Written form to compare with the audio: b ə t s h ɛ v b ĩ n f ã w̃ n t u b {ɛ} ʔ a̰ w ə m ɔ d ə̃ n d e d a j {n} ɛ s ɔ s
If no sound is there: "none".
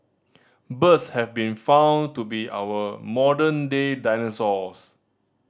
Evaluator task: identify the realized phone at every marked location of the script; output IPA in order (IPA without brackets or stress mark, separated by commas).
i, n